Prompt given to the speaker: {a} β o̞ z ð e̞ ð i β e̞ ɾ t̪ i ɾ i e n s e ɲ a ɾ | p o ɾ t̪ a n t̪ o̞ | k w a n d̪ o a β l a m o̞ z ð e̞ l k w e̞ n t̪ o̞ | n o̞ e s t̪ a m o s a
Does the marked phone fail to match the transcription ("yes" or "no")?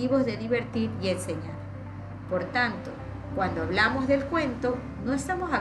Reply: yes